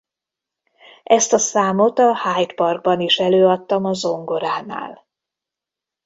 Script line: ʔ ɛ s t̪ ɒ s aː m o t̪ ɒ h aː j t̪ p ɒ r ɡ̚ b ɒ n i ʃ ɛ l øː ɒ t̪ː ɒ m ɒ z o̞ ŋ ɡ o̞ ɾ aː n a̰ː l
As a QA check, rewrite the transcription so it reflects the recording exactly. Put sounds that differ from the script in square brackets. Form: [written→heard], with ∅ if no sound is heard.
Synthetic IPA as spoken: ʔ ɛ s t̪ ɒ s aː m o t̪ ɒ h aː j t̪ p ɒ r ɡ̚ b ɒ n i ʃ ɛ l øː ɒ t̪ː ɒ m ɒ z o̞ ŋ ɡ o̞ ɾ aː n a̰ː l